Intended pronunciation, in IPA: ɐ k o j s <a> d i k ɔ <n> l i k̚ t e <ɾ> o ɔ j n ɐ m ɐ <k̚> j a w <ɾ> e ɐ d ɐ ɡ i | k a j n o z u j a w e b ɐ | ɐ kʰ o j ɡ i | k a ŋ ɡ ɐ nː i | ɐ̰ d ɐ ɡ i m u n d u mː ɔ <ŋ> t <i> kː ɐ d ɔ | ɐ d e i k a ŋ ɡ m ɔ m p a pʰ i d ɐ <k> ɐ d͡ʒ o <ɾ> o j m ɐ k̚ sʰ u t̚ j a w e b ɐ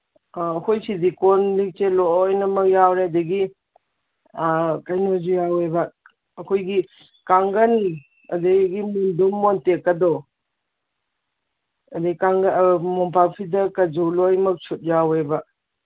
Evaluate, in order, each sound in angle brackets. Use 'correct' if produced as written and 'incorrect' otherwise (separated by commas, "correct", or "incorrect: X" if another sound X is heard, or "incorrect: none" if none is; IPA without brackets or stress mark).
incorrect: i, correct, incorrect: l, correct, correct, incorrect: n, incorrect: e, correct, incorrect: l